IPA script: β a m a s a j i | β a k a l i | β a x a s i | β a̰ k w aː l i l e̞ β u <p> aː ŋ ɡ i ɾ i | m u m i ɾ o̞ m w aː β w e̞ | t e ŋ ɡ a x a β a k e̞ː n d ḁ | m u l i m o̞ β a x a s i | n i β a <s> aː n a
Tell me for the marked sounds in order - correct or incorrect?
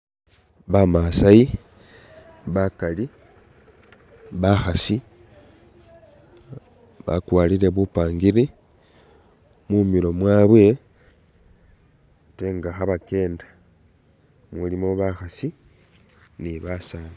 correct, correct

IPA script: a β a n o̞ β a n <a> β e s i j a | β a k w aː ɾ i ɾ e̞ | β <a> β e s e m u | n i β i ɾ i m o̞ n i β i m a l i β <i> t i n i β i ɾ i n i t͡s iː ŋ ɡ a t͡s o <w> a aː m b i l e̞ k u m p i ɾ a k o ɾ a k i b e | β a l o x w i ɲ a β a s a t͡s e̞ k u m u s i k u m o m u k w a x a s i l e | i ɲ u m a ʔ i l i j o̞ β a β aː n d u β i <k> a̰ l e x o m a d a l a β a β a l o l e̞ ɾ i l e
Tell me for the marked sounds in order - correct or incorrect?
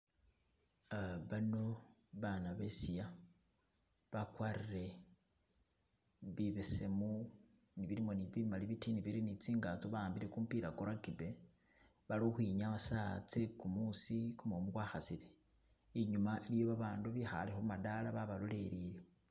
correct, incorrect: i, correct, incorrect: β, incorrect: x

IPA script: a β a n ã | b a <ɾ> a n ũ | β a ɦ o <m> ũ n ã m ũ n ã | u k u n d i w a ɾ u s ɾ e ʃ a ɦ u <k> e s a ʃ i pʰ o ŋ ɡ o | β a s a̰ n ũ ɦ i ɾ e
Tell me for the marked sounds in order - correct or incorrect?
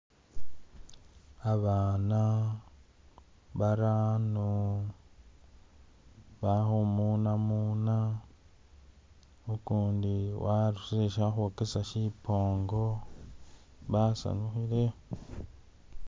correct, correct, correct

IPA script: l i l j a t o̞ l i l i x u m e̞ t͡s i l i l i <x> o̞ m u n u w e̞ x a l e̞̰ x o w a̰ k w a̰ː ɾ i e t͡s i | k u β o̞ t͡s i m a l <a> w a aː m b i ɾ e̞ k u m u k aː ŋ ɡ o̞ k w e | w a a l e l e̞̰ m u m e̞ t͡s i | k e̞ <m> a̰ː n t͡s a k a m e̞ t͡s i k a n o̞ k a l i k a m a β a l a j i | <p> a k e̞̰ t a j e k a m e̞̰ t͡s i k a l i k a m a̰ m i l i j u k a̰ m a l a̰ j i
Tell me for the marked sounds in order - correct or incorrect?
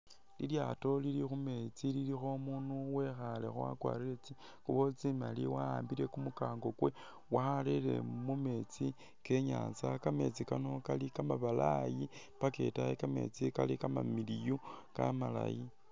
correct, incorrect: i, incorrect: ɲ, correct

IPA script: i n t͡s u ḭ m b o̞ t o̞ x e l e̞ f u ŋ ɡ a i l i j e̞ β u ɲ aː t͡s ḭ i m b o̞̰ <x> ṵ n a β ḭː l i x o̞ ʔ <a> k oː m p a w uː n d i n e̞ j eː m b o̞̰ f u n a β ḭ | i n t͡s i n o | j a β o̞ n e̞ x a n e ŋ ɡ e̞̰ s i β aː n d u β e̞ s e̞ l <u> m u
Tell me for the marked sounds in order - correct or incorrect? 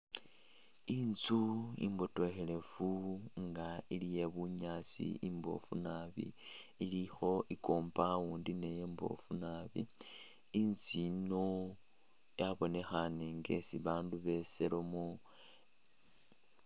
incorrect: f, incorrect: i, incorrect: o

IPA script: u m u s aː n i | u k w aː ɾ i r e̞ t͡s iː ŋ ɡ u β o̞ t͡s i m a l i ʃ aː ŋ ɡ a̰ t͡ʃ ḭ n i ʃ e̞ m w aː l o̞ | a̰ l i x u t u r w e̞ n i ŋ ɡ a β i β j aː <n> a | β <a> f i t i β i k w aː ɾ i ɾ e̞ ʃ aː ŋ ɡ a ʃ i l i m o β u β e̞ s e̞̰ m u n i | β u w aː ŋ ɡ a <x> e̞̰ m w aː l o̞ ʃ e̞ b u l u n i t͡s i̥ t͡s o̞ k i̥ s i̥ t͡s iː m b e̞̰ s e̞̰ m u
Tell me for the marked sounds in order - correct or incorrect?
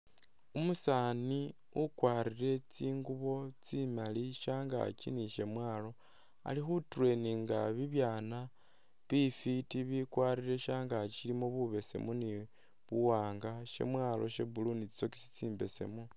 correct, incorrect: i, incorrect: ʃ

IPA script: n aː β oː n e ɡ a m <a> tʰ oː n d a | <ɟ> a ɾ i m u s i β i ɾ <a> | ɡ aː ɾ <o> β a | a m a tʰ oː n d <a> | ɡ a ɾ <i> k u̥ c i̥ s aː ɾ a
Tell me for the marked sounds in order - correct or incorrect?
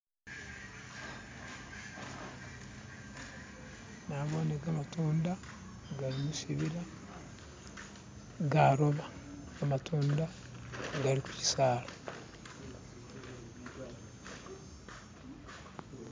correct, incorrect: ɡ, correct, correct, correct, correct

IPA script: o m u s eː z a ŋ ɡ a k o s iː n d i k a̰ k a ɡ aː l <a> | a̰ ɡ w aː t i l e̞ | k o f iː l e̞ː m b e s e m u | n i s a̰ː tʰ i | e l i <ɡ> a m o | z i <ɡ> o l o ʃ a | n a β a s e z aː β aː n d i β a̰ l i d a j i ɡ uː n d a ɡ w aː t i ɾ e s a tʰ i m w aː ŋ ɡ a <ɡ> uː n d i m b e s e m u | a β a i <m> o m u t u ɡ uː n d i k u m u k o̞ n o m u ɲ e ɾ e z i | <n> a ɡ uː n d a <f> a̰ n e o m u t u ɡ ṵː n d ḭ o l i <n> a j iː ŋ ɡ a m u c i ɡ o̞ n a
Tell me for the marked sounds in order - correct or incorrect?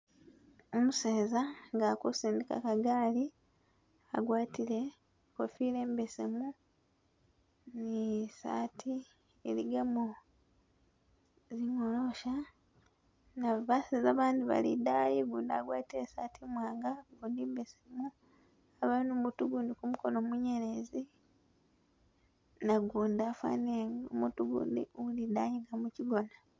incorrect: i, correct, incorrect: ŋ, correct, incorrect: n, correct, correct, incorrect: d

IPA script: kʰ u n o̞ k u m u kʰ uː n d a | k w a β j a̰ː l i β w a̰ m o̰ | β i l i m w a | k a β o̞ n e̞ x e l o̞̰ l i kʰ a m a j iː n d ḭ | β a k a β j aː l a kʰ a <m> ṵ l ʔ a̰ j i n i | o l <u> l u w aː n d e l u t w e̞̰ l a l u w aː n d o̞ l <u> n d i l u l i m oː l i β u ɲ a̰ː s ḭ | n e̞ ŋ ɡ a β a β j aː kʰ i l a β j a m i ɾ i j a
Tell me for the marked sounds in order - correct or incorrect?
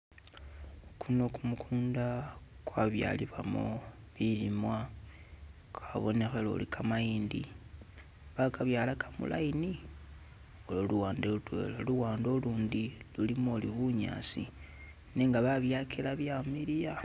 correct, incorrect: o, incorrect: uː

